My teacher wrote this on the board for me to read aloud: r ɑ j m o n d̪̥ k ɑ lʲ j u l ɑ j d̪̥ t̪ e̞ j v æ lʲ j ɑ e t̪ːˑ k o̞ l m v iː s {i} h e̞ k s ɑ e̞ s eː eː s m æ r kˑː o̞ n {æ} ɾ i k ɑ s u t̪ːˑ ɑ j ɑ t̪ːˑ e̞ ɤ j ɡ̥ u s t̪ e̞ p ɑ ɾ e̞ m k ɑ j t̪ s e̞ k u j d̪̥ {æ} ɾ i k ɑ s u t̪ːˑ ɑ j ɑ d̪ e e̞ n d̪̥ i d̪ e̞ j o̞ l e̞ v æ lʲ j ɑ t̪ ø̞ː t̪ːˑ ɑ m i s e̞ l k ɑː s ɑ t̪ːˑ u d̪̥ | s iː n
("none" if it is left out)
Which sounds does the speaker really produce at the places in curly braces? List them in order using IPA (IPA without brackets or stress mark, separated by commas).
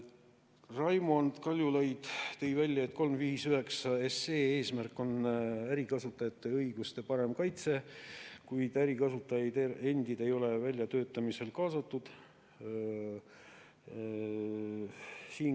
y, æ, æ